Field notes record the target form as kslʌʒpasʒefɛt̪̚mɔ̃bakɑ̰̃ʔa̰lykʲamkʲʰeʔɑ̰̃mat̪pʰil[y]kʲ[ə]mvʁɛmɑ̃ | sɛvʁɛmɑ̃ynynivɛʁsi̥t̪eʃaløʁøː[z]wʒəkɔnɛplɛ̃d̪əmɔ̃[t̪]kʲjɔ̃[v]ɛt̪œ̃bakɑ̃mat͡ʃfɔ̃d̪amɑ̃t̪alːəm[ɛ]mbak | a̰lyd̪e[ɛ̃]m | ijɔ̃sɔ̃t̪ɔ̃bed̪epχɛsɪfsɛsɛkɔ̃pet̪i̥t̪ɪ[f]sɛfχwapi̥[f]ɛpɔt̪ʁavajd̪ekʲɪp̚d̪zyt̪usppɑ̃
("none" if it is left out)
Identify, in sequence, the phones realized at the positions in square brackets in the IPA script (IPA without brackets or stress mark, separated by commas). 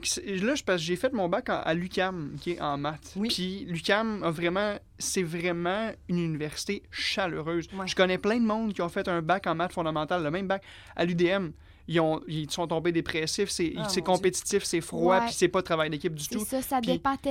y, a, z, d̪, f, ɛ̃, ɛ, f, s